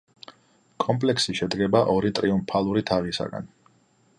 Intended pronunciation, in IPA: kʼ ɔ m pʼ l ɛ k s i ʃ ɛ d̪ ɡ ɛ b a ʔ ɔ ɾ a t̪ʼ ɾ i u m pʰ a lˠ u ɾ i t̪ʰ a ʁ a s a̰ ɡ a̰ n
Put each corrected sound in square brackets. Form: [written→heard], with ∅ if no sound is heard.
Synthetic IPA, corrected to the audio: kʼ ɔ m pʼ l ɛ k s i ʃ ɛ d̪ ɡ ɛ b a ʔ ɔ ɾ [a→i] t̪ʼ ɾ i u m pʰ a lˠ u ɾ i t̪ʰ a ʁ [a→i] s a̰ ɡ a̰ n